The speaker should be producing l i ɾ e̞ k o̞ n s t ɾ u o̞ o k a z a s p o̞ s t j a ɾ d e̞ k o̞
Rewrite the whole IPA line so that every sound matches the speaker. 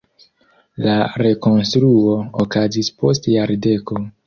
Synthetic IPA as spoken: l a ɾ e̞ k o̞ n s t ɾ u o̞ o k a z i s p o̞ s t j a ɾ d e̞ k o̞